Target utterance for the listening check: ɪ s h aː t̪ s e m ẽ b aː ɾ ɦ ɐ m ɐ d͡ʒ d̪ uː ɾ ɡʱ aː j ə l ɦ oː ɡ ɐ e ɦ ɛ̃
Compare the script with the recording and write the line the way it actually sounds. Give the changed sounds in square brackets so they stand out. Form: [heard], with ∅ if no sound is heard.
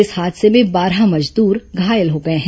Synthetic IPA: ɪ s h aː [d̪] s e m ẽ b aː ɾ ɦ [a] m ɐ d͡ʒ d̪ uː ɾ ɡʱ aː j ə l ɦ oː ɡ ɐ e ɦ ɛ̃